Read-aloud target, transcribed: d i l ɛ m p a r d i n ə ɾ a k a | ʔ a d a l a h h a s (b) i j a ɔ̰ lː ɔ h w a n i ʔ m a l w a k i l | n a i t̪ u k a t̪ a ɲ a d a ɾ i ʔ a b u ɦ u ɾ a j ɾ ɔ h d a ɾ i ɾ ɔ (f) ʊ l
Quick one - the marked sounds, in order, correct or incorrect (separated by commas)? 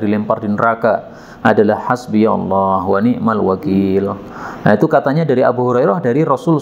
correct, incorrect